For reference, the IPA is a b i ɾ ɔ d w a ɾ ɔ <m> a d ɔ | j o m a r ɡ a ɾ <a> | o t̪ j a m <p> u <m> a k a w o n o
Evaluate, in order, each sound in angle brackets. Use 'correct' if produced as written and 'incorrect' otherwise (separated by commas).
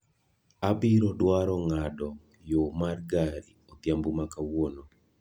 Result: incorrect, incorrect, incorrect, correct